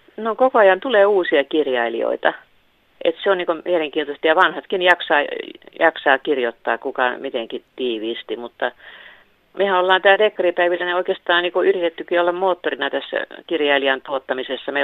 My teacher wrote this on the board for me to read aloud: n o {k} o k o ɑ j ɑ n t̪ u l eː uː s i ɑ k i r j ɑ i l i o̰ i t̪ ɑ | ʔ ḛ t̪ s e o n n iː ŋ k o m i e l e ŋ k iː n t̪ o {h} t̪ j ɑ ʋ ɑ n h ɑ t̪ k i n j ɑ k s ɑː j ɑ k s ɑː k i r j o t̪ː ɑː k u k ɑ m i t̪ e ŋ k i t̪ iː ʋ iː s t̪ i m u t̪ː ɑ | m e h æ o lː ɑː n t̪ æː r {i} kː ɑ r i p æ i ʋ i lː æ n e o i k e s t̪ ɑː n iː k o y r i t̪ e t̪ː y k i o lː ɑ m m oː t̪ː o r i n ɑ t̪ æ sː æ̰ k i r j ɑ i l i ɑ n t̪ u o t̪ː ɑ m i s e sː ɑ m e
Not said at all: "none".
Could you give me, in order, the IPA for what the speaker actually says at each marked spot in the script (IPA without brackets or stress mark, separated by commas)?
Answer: k, s, e